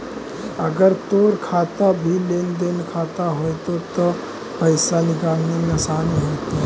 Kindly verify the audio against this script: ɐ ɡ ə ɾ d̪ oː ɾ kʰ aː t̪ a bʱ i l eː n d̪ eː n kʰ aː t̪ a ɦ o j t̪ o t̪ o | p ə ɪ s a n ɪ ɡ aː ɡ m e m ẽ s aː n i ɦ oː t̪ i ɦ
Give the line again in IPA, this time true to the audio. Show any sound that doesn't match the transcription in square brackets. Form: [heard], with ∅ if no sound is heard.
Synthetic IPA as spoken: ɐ ɡ ə ɾ [t̪] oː ɾ kʰ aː t̪ a bʱ i l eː n d̪ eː n kʰ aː t̪ a ɦ o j t̪ o t̪ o | p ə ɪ s a n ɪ ɡ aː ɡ [n] e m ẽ s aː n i ɦ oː t̪ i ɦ